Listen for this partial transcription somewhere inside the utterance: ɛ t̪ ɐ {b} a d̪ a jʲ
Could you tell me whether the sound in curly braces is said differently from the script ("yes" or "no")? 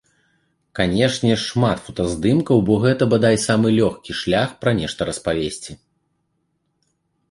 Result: no